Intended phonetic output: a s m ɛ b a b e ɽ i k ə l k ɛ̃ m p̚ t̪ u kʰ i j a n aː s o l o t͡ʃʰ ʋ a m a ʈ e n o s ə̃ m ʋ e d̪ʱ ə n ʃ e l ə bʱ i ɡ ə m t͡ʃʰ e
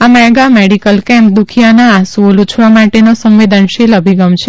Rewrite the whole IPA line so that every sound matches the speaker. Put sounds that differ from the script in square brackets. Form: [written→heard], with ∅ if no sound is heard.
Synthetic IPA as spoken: a [s→∅] m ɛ [b→ɡ] a [b→m] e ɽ i k ə l k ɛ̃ m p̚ [t̪→d̪] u kʰ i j a n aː s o l [o→u] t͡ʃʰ ʋ a m a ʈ e n o s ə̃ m ʋ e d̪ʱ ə n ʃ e l ə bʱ i ɡ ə m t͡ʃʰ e